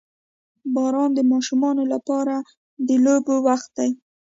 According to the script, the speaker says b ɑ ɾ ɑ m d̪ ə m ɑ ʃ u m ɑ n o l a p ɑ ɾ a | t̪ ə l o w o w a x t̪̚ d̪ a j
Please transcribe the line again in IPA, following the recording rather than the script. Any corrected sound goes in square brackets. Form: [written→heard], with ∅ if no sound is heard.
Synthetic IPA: b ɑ ɾ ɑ [m→n] d̪ ə m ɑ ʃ u m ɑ n o l a p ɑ ɾ a | [t̪→d̪] ə l o [w→b] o w a x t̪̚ d̪ a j